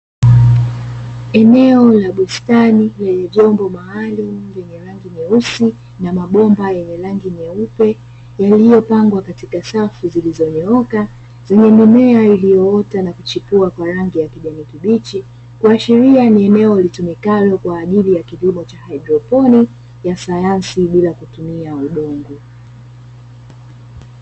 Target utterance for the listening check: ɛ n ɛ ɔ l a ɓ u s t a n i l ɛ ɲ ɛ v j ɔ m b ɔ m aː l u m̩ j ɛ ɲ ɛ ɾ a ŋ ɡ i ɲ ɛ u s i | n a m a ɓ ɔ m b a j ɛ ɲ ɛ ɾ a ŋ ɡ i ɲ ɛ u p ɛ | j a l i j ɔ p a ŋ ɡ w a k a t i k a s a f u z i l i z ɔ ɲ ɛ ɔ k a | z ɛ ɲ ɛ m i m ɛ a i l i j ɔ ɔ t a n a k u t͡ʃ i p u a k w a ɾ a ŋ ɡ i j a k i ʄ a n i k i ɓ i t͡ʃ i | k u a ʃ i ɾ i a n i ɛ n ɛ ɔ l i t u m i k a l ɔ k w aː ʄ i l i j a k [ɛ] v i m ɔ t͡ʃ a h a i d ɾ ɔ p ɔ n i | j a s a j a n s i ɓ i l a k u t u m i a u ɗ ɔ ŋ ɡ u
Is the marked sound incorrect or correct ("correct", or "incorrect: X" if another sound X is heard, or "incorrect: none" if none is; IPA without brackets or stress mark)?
incorrect: i